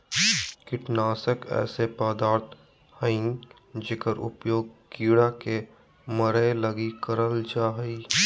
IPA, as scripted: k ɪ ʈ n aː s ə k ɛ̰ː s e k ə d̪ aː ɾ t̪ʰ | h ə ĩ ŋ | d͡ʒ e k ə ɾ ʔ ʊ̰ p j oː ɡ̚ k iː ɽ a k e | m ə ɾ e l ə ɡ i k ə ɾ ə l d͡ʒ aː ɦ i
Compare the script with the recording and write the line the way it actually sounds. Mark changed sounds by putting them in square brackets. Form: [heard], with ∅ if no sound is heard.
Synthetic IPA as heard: k ɪ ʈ n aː s ə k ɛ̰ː s e [p] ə d̪ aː ɾ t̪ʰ | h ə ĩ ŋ | d͡ʒ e k ə ɾ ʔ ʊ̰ p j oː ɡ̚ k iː ɽ a k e | m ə ɾ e l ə ɡ i k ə ɾ ə l d͡ʒ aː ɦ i